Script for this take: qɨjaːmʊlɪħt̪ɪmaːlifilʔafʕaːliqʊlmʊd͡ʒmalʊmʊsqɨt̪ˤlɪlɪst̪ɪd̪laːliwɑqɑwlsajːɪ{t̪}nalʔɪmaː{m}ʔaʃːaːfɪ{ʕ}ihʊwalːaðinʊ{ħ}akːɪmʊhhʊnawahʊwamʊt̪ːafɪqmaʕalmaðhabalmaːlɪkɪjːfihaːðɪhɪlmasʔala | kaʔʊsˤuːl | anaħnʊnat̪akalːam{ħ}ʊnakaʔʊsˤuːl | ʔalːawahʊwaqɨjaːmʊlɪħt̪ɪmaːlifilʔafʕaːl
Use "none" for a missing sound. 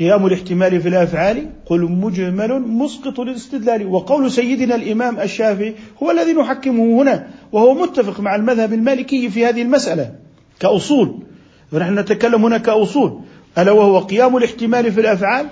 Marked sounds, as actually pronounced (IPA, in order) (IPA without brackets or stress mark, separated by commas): d̪, m, ʕ, ħ, h